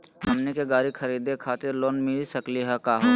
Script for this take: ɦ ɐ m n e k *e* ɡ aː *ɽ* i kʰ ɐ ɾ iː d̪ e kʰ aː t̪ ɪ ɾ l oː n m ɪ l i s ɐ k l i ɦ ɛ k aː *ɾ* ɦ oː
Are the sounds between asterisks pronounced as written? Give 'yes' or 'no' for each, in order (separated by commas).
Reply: yes, no, no